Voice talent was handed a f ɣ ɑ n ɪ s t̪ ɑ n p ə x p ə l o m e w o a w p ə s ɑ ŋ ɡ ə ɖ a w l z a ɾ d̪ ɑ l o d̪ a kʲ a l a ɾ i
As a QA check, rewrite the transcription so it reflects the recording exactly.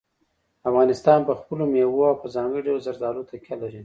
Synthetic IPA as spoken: a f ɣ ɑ n ɪ s t̪ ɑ n p ə x p ə l o m e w o a w p ə z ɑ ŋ ɡ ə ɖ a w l z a ɾ d̪ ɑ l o t̪ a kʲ a l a ɾ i

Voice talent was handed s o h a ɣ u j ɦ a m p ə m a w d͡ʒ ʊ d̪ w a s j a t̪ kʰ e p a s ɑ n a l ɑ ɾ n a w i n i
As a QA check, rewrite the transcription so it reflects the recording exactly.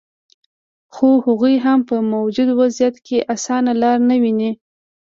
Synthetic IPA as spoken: x o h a ɣ u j ɦ a m p ə m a w d͡ʒ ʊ d̪ w a z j a t̪ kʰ e ʔ a s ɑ n a l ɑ ɾ n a w i n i

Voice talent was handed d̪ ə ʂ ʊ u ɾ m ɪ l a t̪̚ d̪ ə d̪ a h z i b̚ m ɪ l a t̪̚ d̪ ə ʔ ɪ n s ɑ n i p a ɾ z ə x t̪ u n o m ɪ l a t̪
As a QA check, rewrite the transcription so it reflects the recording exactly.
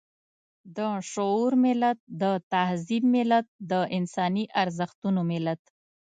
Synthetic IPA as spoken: d̪ ə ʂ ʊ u ɾ m ɪ l a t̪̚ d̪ ə t̪ a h z i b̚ m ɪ l a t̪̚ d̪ ə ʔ ɪ n s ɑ n i ʔ a ɾ z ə x t̪ u n o m ɪ l a t̪

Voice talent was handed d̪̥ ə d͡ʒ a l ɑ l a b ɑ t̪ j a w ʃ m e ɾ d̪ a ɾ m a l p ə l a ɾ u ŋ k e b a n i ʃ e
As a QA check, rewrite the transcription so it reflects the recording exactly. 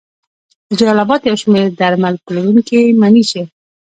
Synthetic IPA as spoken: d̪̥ ə d͡ʒ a l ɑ l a b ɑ t̪ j a w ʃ m e ɾ d̪ a ɾ m a l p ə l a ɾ u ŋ k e m a n i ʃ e

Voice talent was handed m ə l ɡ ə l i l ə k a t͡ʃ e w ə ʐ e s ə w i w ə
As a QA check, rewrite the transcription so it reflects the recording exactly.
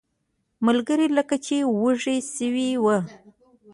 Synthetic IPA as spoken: m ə l ɡ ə ɾ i l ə k a t͡ʃ e w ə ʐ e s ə w i w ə

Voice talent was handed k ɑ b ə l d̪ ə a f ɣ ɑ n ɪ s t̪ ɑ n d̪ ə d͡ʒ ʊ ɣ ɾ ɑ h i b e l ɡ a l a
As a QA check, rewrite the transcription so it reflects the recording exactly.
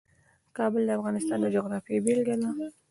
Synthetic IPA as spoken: k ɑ b ə l d̪ ə a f ɣ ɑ n ɪ s t̪ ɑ n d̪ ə d͡ʒ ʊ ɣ ɾ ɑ f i b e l ɡ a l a

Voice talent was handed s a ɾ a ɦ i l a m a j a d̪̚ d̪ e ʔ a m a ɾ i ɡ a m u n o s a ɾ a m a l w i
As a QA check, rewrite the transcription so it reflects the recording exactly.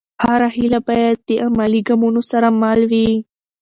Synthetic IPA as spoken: h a ɾ a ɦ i l a b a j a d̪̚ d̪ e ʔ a m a l i ɡ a m u n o s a ɾ a m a l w i

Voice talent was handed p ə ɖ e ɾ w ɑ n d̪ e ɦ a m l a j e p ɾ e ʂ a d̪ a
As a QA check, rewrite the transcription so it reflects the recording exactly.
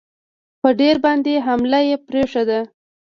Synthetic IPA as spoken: p ə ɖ e ɾ b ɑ n d̪ e ɦ a m l a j e p ɾ e ʂ a d̪ a

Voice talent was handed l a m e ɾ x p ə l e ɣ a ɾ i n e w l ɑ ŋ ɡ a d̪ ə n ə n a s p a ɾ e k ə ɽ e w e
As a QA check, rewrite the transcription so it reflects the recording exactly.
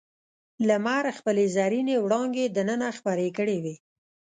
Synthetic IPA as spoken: l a m a ɾ x p ə l e z a ɾ i n e w ɽ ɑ ŋ ɡ e d̪ ə n ə n a x p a ɾ e k ə ɽ e w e

